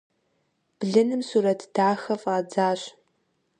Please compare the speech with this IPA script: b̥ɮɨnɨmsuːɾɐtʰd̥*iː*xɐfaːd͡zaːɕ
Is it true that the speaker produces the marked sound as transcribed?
no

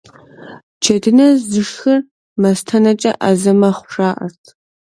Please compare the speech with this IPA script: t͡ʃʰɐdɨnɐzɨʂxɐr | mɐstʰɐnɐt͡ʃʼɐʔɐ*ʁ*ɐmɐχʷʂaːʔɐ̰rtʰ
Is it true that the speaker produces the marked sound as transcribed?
no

